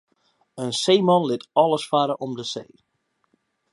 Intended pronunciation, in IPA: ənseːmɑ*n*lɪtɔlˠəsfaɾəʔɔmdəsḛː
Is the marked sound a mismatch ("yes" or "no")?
no